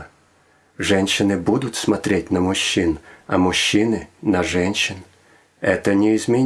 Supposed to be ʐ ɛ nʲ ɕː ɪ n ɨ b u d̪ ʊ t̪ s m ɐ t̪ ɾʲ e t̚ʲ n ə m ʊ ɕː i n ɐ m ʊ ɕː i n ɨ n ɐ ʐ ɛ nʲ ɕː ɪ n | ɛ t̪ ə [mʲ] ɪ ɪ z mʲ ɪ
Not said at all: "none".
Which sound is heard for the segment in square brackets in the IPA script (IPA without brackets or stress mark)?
nʲ